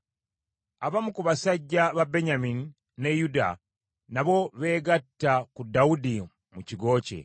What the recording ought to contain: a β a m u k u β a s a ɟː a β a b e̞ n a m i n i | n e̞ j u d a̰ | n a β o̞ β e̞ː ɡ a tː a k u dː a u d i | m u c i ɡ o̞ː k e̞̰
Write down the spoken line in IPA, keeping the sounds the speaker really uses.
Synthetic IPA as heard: a β a m u k u β a s a ɟː a β a b e̞ ɲ a m i n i | n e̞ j u d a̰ | n a β o̞ β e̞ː ɡ a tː a k u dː a u d i | m u c i ɡ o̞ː c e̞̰